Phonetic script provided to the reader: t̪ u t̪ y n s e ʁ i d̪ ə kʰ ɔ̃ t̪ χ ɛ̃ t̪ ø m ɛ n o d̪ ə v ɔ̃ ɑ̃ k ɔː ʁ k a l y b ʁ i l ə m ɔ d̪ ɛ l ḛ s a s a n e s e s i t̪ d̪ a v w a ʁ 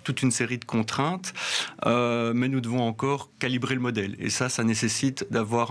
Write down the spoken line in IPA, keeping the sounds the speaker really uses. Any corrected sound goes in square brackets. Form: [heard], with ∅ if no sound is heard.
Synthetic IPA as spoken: t̪ u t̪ y n s e ʁ i d̪ ə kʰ ɔ̃ t̪ χ ɛ̃ t̪ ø m ɛ n [u] d̪ ə v ɔ̃ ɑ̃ k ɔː ʁ k a l [i] b ʁ [e] l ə m ɔ d̪ ɛ l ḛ s a s a n e s e s i t̪ d̪ a v w a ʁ